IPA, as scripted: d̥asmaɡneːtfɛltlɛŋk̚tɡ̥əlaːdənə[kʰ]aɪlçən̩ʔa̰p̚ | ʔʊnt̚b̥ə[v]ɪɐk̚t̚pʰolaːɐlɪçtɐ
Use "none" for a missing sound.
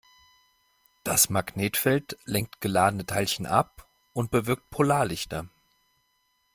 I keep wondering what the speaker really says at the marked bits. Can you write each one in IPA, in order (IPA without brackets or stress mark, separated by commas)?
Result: tʰ, v